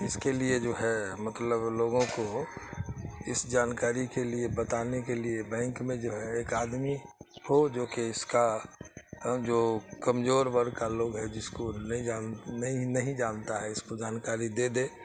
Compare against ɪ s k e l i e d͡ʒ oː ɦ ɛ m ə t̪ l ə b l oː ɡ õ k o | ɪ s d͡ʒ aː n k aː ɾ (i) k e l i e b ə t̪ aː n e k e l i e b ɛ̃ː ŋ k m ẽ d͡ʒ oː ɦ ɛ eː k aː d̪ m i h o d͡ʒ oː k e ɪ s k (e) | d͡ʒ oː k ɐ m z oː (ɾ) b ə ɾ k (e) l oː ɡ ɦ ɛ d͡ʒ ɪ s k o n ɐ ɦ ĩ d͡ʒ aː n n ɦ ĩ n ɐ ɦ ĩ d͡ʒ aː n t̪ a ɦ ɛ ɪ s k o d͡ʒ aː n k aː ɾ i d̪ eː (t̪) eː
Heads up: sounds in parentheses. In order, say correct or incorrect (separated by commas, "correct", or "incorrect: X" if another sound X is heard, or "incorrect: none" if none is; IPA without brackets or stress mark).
correct, incorrect: a, correct, incorrect: a, incorrect: d̪